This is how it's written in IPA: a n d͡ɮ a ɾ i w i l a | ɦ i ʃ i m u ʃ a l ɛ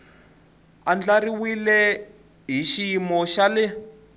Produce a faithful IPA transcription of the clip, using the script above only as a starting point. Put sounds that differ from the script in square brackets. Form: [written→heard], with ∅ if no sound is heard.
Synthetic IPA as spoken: a n d͡ɮ a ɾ i w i l [a→ɛ] | ɦ i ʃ i m [u→ɔ] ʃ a l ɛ

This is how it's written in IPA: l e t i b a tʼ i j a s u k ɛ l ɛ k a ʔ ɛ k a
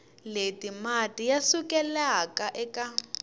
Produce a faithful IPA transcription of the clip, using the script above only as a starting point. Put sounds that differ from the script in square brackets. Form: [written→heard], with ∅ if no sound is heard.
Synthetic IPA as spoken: l e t i [b→m] a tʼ i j a s u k ɛ l [ɛ→a] k a ʔ ɛ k a

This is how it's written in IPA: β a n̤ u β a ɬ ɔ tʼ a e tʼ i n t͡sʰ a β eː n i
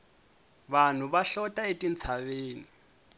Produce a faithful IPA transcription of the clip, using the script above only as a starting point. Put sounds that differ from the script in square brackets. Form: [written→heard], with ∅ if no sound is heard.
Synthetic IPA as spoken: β a n̤ u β a ɬ ɔ tʼ a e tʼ i n t͡sʰ a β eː n i

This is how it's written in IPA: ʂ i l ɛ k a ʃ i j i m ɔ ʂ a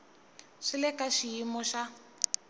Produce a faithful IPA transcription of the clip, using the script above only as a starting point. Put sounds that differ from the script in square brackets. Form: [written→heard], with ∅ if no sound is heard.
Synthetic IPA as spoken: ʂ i l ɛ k a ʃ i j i m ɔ [ʂ→ʃ] a

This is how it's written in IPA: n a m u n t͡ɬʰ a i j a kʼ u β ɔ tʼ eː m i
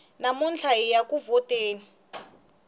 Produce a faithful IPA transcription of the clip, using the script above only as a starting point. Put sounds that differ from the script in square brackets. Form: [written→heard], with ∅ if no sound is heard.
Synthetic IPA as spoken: n a m u n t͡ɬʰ a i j a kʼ u [β→v] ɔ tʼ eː [m→n] i

